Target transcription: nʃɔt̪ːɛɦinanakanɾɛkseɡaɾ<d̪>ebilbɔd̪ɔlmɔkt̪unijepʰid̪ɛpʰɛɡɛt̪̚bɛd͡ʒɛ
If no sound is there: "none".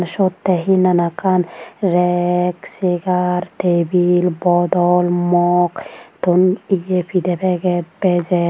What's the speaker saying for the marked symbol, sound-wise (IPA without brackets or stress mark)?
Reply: t̪